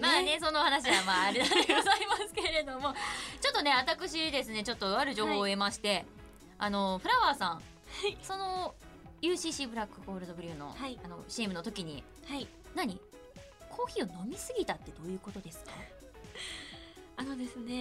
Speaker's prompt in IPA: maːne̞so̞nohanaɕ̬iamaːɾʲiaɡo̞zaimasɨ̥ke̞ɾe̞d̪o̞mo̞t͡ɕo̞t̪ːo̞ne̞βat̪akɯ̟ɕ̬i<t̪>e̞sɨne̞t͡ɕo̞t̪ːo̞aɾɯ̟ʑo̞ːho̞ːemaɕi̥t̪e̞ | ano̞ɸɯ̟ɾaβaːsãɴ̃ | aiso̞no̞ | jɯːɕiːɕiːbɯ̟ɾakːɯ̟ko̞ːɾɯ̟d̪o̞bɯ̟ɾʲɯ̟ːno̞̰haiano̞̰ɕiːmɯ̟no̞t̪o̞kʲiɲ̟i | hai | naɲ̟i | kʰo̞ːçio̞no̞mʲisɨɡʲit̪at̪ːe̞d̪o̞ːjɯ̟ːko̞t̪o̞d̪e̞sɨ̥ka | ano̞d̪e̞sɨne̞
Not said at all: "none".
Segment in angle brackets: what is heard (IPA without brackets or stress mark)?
d̪